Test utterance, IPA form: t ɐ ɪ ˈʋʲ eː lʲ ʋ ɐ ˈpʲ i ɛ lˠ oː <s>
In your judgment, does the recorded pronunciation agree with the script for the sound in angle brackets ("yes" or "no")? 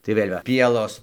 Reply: yes